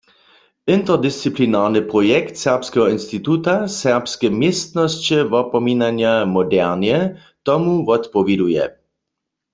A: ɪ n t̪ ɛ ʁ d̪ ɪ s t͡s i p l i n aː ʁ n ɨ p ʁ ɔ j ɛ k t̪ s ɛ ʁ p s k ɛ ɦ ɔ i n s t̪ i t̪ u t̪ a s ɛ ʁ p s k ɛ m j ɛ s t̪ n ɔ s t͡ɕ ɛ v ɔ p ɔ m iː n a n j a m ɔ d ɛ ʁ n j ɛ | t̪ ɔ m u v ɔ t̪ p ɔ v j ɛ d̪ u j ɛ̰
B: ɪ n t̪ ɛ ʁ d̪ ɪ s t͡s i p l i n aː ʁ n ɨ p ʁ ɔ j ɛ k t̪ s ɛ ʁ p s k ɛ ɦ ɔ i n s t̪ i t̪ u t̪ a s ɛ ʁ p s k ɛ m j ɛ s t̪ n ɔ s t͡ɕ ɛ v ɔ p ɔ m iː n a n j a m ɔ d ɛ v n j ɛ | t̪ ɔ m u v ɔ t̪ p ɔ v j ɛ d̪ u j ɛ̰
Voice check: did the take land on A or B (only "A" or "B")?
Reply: A